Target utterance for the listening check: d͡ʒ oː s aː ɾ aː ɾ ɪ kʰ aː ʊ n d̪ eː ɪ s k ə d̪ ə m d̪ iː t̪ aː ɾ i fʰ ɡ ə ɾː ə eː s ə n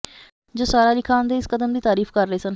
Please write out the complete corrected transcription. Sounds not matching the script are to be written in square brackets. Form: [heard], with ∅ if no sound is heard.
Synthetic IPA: d͡ʒ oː s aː ɾ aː [l] ɪ kʰ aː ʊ n d̪ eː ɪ s k ə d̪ ə m d̪ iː t̪ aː ɾ [iː] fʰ [k] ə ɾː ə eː s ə n